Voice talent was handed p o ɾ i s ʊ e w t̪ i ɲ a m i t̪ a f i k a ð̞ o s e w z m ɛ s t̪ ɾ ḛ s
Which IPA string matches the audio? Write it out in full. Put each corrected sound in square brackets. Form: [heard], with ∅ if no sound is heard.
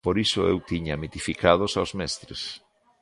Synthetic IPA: p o ɾ i s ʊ e w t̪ i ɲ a m i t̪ [i] f i k a ð̞ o s [a] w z m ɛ s t̪ ɾ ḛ s